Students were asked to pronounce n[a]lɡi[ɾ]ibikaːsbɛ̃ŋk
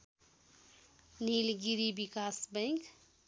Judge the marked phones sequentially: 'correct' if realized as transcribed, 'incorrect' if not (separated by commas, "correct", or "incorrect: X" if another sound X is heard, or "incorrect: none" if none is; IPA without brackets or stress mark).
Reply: incorrect: i, correct